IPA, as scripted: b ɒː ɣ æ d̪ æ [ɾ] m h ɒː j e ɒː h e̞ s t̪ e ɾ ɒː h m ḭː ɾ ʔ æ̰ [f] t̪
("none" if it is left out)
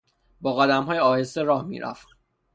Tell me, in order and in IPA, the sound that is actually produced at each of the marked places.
none, f

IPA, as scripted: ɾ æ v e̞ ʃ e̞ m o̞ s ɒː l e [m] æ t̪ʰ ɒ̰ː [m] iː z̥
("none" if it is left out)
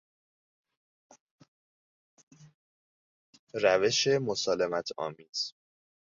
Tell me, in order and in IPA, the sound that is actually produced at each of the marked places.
m, m

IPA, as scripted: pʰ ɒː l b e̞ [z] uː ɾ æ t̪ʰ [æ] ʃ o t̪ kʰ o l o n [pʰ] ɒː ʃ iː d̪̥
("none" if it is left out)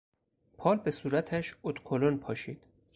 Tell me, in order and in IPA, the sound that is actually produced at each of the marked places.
s, æ, pʰ

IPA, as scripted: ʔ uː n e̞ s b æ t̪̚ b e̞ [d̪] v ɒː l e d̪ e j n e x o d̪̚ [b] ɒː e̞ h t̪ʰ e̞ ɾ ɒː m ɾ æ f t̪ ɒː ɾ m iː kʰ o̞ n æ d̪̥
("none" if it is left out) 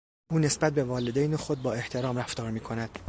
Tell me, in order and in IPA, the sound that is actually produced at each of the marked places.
none, b

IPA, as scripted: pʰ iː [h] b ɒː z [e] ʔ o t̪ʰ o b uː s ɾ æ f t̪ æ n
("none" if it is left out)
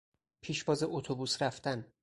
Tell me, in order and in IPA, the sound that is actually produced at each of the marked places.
ʃ, e

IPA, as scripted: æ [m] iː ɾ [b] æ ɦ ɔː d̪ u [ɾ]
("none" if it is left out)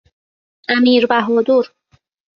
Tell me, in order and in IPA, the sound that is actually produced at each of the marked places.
m, b, ɾ

